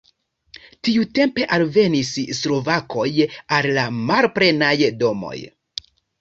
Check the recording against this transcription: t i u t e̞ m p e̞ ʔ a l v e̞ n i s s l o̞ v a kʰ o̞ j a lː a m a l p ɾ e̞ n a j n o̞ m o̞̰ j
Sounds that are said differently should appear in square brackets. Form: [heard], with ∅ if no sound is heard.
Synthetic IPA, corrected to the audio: t i u t e̞ m p e̞ ʔ a l v e̞ n i s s l o̞ v a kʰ o̞ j a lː a m a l p ɾ e̞ n a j [d] o̞ m o̞̰ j